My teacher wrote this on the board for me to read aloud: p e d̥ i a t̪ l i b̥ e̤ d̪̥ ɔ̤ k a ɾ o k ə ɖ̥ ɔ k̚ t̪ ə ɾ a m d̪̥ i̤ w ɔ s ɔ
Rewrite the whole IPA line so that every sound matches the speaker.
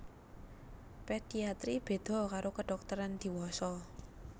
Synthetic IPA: p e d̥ i a t̪ ɾ i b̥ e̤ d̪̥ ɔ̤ k a ɾ o k ə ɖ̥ ɔ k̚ t̪ ə ɾ a n d̪̥ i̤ w ɔ s ɔ